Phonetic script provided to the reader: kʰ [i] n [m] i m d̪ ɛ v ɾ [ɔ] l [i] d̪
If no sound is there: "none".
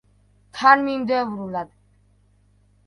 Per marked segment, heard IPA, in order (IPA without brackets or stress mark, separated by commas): a, m, u, a